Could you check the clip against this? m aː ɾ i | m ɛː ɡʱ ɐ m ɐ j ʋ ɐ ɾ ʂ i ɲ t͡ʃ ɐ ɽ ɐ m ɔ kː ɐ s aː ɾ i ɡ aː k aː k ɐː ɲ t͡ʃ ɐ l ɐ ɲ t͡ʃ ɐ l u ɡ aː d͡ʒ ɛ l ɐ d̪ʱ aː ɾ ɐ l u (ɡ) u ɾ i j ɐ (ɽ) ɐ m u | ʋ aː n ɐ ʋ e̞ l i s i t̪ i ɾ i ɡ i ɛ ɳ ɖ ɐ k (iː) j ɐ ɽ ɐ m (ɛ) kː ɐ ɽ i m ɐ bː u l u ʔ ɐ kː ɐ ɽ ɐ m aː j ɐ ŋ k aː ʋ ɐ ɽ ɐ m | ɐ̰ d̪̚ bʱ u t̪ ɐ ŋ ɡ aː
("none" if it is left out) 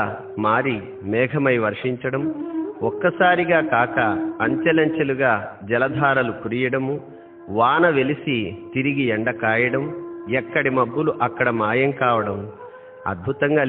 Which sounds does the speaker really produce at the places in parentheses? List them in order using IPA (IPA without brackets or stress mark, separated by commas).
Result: k, ɽ, aː, ɛ